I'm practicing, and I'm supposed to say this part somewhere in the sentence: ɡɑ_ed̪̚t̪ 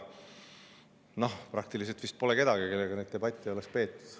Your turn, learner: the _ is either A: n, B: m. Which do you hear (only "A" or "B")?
A